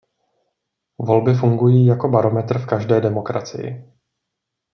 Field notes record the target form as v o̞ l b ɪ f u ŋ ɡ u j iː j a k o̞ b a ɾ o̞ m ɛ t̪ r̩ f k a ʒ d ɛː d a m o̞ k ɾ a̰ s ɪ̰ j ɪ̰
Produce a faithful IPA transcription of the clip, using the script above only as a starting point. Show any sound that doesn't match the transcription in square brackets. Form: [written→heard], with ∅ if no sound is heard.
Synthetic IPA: v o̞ l b ɪ f u ŋ ɡ u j iː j a k o̞ b a ɾ o̞ m ɛ t̪ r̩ f k a ʒ d ɛː d [a→ɛ] m o̞ k ɾ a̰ [s→t͡s] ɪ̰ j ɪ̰